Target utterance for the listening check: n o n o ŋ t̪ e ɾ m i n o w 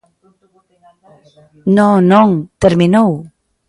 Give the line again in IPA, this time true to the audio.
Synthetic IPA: n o n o ŋ t̪ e ɾ m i n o w